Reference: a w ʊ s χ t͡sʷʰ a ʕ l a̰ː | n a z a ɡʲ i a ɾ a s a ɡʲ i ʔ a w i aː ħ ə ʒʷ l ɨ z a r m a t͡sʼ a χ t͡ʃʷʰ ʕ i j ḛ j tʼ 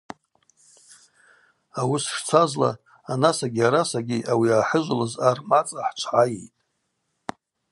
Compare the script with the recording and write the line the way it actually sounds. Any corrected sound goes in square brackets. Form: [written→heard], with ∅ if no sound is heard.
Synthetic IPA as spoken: a w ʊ s [χ→ʂ] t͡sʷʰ a [ʕ→z] l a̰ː | n a [z→s] a ɡʲ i a ɾ a s a ɡʲ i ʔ a w i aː ħ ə ʒʷ l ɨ z a r m a t͡sʼ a [χ→ħ] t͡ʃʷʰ ʕ [i→a] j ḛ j tʼ